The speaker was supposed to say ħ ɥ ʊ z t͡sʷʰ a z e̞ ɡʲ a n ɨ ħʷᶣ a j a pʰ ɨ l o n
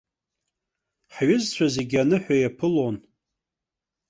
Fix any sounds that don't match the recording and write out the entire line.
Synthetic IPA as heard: ħ ɥ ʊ z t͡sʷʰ a z e̞ ɡʲ a n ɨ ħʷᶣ a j a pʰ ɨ l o n